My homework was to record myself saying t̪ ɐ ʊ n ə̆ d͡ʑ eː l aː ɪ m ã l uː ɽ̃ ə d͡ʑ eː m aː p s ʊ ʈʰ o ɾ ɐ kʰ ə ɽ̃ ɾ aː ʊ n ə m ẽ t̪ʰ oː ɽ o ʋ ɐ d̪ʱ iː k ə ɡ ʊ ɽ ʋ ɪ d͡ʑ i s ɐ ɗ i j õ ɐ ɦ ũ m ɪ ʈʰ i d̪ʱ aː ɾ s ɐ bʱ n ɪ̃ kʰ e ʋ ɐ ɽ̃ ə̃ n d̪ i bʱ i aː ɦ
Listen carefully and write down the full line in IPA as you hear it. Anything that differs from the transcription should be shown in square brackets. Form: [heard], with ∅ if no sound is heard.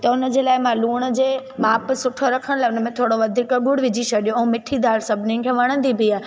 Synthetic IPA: t̪ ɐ ʊ n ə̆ d͡ʑ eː l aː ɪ m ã l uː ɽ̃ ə d͡ʑ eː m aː p s ʊ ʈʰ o ɾ ɐ kʰ ə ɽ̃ [l] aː ʊ n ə m ẽ t̪ʰ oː ɽ o ʋ ɐ d̪ʱ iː k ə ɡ ʊ ɽ ʋ ɪ d͡ʑ i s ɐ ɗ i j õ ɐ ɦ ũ m ɪ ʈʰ i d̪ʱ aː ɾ s ɐ bʱ n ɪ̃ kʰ e ʋ ɐ ɽ̃ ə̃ n d̪ i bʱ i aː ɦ